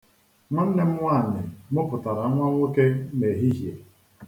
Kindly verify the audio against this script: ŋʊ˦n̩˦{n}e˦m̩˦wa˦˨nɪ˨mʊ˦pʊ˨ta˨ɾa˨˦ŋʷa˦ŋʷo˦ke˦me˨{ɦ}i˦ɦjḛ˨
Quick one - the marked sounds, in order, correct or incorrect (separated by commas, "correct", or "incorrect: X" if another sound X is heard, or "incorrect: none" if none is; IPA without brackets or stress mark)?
correct, correct